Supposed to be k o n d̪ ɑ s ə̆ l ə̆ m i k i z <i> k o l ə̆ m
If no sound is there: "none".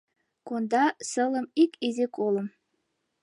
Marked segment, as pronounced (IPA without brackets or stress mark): e